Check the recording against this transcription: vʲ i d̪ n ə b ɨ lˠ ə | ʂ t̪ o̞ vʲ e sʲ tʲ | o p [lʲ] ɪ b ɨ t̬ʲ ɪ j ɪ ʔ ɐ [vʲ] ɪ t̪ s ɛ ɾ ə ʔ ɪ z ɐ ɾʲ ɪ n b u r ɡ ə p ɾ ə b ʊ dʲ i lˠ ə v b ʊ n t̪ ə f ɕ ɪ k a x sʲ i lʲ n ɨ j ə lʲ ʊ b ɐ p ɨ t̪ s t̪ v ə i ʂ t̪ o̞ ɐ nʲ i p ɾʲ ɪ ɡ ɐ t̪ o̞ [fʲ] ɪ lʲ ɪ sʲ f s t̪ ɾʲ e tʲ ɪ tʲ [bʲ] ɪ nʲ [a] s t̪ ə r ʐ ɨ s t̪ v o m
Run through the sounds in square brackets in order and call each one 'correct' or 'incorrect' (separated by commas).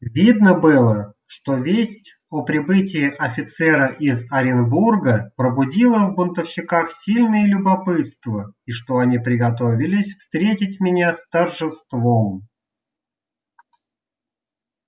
incorrect, incorrect, incorrect, incorrect, correct